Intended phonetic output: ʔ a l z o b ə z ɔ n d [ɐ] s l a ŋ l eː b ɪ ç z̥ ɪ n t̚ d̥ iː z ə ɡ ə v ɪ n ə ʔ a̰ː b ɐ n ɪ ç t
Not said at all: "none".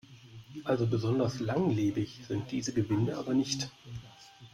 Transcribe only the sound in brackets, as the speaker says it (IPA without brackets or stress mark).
ɐ